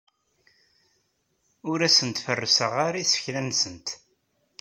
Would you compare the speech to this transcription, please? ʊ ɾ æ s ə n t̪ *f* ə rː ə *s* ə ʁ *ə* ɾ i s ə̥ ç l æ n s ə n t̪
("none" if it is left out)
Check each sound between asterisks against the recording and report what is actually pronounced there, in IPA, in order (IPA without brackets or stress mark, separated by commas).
f, s, a